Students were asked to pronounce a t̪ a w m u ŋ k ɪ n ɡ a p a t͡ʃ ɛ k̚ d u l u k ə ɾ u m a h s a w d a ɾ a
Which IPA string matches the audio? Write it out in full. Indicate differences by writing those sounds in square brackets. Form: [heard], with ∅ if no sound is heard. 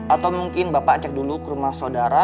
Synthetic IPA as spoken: a t̪ a w m u ŋ k ɪ n [b] a p a t͡ʃ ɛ k̚ d u l u k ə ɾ u m a h s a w d a ɾ a